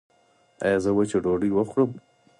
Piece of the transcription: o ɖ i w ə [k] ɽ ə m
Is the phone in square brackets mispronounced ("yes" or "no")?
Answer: yes